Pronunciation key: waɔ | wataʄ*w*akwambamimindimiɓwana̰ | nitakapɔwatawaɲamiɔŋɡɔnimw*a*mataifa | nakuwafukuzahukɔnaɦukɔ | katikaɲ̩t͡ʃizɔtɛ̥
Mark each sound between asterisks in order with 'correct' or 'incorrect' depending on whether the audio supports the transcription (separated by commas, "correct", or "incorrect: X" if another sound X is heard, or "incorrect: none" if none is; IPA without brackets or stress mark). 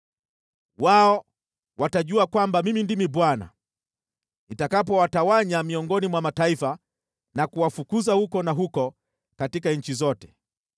incorrect: u, correct